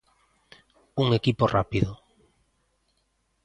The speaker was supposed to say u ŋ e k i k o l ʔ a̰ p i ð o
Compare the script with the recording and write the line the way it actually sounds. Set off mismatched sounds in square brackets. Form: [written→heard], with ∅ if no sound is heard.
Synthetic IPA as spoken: u ŋ e k i [k→p] o [l→r] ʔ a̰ p i ð o